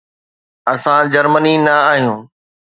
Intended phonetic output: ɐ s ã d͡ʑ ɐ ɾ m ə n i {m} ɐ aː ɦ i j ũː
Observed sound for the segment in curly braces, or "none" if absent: n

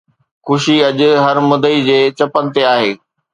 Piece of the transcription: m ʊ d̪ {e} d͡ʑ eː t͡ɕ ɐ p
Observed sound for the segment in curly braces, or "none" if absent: i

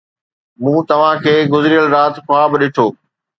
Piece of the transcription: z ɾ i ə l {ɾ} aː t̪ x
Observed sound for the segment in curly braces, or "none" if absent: ɾ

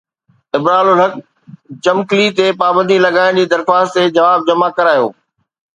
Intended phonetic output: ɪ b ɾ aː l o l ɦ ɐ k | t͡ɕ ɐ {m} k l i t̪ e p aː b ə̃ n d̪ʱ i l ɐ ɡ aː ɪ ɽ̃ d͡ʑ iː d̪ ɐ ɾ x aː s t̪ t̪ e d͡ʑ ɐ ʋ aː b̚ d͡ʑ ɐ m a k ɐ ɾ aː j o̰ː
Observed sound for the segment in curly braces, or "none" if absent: m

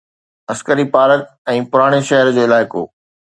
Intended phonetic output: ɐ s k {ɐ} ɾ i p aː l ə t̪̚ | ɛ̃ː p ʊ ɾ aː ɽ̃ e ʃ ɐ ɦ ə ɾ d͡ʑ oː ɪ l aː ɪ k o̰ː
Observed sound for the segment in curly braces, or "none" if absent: ə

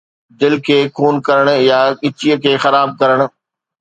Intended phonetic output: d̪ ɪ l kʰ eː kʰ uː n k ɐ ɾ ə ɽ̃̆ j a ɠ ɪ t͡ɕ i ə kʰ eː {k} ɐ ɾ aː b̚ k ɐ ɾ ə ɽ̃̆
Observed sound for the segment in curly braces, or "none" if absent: x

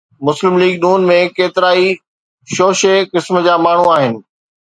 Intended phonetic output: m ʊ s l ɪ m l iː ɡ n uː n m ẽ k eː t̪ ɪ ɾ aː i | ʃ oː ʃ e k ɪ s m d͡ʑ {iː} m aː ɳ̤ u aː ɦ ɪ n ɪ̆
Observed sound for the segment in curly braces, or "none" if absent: aː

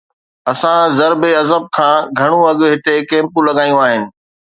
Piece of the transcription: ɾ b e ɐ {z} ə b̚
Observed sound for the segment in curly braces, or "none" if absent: z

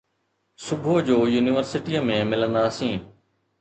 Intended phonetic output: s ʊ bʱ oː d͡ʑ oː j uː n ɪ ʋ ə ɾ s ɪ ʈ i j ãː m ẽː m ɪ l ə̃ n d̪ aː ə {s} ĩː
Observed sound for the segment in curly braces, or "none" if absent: s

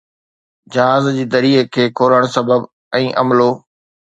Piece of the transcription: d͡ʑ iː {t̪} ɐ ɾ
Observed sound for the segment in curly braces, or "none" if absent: d̪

